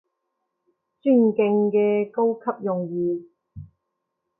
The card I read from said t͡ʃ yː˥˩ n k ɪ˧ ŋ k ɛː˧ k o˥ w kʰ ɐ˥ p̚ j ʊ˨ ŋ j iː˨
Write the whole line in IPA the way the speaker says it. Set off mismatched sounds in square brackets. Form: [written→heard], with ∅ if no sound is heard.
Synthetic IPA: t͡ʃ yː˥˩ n k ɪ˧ ŋ k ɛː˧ k o˥ w kʰ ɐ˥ p̚ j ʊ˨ ŋ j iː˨